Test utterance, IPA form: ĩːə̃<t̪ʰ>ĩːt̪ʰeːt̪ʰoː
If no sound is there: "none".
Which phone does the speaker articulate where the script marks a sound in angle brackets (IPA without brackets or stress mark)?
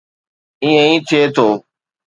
none